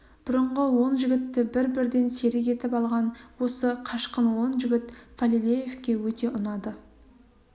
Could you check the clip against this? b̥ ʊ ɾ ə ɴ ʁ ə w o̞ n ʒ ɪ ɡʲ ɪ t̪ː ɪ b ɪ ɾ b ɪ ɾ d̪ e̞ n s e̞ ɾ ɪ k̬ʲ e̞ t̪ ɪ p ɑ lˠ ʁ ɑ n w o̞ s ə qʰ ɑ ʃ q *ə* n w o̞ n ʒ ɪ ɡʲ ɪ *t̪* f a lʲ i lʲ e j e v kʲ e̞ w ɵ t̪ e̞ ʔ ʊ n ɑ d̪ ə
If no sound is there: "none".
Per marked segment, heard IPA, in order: ə, t̪

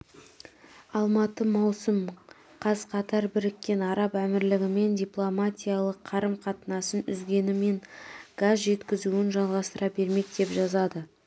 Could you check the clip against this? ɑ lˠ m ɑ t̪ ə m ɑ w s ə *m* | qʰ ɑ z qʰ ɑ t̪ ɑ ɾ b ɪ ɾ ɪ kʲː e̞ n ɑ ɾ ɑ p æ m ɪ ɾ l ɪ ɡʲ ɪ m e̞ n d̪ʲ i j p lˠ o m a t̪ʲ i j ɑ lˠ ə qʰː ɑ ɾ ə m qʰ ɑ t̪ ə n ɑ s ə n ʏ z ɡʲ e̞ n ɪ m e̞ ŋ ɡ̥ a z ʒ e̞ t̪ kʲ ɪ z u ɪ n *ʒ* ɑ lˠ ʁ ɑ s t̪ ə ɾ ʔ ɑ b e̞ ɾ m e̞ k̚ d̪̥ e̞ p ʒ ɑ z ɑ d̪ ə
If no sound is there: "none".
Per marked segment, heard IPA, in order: m, ʒ

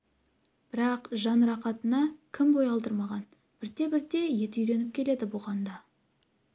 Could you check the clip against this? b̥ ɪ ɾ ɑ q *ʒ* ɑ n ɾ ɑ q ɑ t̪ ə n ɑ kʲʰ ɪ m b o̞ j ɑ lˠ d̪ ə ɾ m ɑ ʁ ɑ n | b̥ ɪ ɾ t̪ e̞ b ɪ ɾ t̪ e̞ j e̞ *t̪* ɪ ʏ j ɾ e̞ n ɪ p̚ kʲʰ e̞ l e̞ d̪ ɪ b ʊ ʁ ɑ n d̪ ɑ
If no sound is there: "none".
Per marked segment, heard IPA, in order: ʒ, t̪

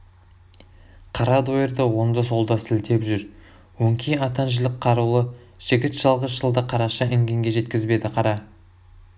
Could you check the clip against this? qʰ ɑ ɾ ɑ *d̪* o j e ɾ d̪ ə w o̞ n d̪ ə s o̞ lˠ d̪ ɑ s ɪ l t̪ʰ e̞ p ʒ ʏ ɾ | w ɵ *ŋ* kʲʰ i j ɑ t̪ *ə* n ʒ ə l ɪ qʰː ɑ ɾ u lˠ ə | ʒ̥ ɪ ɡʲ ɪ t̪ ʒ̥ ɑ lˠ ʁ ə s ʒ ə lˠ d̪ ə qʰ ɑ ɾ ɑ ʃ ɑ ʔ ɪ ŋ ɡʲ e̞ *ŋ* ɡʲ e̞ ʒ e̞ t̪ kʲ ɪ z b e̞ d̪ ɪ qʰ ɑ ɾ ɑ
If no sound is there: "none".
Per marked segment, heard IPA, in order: d̪, ŋ, ɑ, ŋ

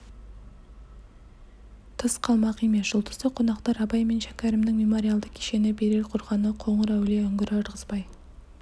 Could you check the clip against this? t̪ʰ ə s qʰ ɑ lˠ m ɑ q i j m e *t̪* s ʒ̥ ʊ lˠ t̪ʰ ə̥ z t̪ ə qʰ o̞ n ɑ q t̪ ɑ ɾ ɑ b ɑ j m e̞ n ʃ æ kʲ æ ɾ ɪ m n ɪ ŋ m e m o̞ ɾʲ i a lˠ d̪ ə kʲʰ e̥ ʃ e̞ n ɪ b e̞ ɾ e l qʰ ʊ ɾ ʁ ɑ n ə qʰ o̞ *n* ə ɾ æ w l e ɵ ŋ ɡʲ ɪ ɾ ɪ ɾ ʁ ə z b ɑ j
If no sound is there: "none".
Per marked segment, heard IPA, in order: none, ɴ

